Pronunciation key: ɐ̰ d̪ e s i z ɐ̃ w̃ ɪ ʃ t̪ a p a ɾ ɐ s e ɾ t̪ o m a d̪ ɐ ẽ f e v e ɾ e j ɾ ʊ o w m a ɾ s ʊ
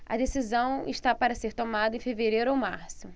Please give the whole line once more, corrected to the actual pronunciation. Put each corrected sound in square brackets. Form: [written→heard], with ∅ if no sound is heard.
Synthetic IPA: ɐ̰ d̪ e s i z ɐ̃ w̃ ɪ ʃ t̪ a p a ɾ ɐ s e ɾ t̪ o m a d̪ ɐ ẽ f e v e ɾ e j ɾ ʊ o w m a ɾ s ʊ